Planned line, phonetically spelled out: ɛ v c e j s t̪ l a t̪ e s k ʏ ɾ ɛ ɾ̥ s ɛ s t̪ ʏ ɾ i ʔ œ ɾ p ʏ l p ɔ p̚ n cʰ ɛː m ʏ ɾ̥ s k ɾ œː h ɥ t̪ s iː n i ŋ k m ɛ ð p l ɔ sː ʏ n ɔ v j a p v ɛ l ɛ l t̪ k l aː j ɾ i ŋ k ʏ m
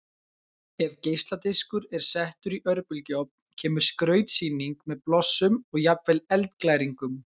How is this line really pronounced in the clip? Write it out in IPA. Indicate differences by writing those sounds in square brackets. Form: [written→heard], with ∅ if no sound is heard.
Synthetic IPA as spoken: ɛ v c e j s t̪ l a t̪ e s k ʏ ɾ ɛ ɾ̥ s ɛ [s→h] t̪ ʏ ɾ i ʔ œ ɾ p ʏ l [p→c] ɔ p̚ n cʰ ɛː m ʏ ɾ̥ s k ɾ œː [h→∅] ɥ t̪ s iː n i ŋ k m ɛ ð p l ɔ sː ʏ [n→m] ɔ [v→ɣ] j a p v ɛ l ɛ l t̪ k l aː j ɾ i ŋ k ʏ m